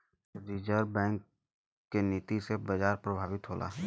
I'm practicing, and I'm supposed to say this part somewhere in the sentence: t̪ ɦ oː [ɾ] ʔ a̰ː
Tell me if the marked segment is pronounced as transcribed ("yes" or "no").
no